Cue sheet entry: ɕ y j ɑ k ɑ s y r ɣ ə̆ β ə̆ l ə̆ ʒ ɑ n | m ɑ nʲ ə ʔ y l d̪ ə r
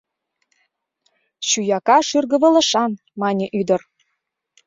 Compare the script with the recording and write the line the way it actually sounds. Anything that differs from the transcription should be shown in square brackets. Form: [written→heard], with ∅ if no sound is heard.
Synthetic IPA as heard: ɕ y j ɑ k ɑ [s→ʃ] y r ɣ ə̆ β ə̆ l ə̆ [ʒ→ʃ] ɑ n | m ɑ nʲ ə ʔ y [l→∅] d̪ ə r